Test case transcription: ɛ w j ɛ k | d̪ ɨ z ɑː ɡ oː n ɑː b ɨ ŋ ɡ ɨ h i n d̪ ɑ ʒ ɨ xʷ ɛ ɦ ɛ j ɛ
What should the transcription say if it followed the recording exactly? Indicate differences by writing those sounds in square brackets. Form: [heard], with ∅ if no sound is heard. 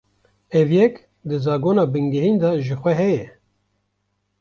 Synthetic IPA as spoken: ɛ [v] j ɛ k | d̪ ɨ z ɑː ɡ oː n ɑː b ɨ ŋ ɡ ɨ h i n d̪ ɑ ʒ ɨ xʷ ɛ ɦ ɛ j ɛ

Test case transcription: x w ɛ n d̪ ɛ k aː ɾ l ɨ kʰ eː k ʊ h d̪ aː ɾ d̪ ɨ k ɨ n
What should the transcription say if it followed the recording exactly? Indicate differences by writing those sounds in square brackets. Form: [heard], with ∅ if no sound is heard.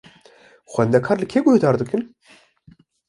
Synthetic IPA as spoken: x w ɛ n d̪ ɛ [kʰ] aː ɾ l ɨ kʰ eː [ɡ] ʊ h d̪ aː ɾ d̪ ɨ k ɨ n

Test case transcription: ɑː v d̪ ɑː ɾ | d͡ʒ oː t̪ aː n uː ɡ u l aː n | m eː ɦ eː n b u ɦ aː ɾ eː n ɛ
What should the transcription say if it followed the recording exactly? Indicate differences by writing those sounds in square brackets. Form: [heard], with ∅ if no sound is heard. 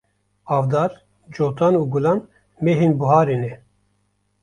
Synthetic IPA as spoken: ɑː v d̪ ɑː ɾ | d͡ʒ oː t̪ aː n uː ɡ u l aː n | m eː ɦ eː n b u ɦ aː ɾ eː n ɛ

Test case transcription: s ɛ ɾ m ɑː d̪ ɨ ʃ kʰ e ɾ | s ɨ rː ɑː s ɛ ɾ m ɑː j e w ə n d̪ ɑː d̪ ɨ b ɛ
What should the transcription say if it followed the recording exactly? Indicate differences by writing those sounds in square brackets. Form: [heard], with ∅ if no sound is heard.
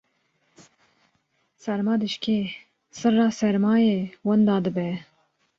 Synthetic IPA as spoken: s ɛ ɾ m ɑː d̪ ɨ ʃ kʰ e [∅] | s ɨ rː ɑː s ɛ ɾ m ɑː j e w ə n d̪ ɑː d̪ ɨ b ɛ

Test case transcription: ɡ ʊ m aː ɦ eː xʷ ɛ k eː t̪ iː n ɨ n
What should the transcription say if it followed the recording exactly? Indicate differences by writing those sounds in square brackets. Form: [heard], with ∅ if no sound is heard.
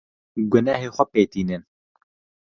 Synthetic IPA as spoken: ɡ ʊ [n] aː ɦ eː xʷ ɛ [p] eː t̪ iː n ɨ n

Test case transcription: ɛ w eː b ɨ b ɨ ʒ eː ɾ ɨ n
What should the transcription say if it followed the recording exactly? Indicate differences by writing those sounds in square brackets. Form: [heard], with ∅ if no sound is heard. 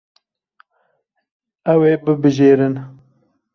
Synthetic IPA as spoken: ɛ w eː b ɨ b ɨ ʒ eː ɾ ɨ n

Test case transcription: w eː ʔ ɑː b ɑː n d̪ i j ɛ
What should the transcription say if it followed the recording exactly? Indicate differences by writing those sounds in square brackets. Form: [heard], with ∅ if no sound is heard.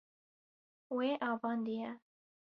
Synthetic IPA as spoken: w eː ʔ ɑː [v] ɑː n d̪ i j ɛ

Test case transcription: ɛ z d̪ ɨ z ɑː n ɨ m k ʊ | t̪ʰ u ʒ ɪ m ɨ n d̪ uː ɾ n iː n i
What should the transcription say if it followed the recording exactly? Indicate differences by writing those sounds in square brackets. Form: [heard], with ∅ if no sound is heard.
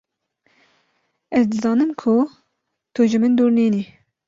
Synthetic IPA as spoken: ɛ z d̪ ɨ z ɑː n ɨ m [kʰ] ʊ | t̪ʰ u ʒ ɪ m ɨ n d̪ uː ɾ n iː n i

